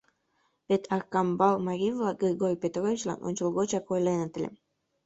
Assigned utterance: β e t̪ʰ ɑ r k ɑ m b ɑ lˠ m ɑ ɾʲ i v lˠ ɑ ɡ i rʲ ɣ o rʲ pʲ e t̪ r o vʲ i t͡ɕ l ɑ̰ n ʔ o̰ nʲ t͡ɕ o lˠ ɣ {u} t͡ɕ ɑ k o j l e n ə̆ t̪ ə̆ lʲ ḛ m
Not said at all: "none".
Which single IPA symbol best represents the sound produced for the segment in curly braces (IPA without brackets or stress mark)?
o